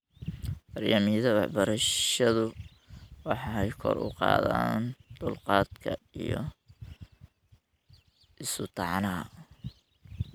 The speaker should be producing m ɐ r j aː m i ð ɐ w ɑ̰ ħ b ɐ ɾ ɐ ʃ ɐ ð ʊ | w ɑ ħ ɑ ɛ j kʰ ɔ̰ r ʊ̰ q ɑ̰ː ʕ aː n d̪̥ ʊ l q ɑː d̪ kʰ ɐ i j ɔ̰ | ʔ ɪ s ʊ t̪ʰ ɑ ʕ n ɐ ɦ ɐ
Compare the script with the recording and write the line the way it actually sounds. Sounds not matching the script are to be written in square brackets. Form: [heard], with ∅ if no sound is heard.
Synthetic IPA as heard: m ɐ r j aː m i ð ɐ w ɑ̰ ħ b ɐ ɾ ɐ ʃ ɐ ð ʊ | w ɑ ħ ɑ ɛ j kʰ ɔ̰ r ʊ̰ q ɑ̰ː [ð] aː n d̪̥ ʊ l q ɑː d̪ kʰ ɐ i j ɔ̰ | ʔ ɪ s ʊ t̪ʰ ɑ ʕ n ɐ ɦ ɐ